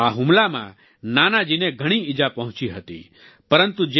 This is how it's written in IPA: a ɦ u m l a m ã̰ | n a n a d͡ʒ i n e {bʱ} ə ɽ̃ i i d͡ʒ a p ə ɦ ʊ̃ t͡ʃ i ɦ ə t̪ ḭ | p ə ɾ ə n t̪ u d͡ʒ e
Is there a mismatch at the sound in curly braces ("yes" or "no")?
yes